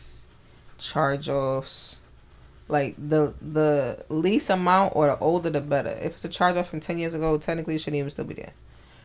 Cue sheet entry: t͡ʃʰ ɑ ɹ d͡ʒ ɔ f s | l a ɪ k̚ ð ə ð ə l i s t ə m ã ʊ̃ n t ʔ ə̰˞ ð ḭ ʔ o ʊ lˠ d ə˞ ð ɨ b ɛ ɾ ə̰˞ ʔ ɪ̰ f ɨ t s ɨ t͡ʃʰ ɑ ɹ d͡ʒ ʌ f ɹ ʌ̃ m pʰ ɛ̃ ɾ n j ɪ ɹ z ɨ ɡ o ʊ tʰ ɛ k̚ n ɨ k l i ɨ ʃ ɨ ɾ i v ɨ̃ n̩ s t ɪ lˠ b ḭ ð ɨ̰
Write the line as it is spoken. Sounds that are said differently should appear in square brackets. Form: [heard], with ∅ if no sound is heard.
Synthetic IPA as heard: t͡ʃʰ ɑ ɹ d͡ʒ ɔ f s | l a ɪ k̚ ð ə ð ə l i s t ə m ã ʊ̃ n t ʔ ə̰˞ ð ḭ ʔ o ʊ lˠ d ə˞ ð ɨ b ɛ ɾ ə̰˞ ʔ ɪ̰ f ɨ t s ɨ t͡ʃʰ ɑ ɹ d͡ʒ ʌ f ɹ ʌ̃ m [tʰ] ɛ̃ [∅] n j ɪ ɹ z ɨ ɡ o ʊ tʰ ɛ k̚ n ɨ k l i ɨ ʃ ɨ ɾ i v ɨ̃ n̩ s t ɪ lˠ b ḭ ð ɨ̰